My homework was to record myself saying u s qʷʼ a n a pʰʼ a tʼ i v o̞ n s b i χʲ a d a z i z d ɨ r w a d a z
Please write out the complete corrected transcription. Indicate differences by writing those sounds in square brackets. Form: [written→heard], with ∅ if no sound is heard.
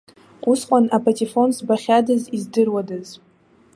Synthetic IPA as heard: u s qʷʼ a n a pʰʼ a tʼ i [v→f] o̞ n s b [i→a] χʲ a d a z i z d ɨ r w a d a z